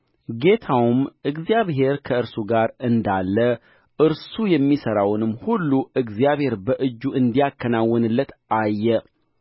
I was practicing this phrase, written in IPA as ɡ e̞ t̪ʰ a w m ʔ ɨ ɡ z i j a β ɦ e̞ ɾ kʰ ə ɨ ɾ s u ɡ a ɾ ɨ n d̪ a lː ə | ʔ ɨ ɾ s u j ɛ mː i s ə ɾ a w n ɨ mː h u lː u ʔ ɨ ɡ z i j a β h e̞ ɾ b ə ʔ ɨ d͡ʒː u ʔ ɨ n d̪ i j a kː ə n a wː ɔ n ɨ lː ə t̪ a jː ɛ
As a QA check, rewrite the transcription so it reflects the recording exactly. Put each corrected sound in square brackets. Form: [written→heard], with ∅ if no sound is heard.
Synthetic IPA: ɡ e̞ t̪ʰ a w m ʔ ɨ ɡ z i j a β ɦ e̞ ɾ kʰ ə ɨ ɾ s u ɡ a ɾ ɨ n d̪ a lː ə | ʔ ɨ ɾ s u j ɛ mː i s ə ɾ a w n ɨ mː h u lː u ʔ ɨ ɡ z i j a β h e̞ ɾ b ə ʔ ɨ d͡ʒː u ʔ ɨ n d̪ i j a kː ə n a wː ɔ n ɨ lː ə t̪ a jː ɛ